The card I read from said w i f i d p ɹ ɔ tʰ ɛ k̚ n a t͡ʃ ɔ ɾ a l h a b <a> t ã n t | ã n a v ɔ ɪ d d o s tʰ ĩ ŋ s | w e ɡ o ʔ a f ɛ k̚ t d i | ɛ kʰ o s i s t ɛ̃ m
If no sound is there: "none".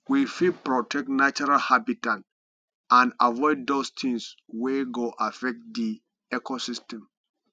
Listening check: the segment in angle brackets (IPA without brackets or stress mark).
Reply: i